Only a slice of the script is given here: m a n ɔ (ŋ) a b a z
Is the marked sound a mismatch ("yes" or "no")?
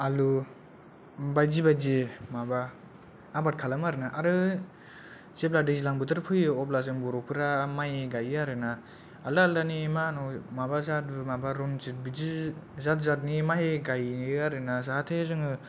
yes